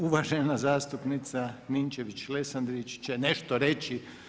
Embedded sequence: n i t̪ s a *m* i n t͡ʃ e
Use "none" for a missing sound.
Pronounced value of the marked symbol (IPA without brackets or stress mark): n